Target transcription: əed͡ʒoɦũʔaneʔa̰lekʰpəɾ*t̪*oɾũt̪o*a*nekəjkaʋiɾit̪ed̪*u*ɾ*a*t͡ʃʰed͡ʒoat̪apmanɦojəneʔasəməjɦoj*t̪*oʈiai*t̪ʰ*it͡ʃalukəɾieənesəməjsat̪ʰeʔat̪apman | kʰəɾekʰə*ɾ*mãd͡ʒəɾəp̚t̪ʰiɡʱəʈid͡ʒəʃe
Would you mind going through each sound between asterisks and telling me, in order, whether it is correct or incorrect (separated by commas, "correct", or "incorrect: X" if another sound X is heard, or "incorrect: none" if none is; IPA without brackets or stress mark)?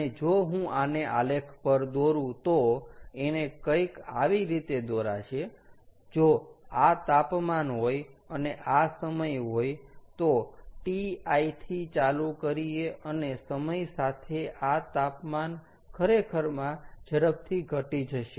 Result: incorrect: d̪, incorrect: e, incorrect: o, correct, correct, correct, correct